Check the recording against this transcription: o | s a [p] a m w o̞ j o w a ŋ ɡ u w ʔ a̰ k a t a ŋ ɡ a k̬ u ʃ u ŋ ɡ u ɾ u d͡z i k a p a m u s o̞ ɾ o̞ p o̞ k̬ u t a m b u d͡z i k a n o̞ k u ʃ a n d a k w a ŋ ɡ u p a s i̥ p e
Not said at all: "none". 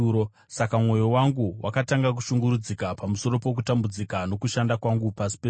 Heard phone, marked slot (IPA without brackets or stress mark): k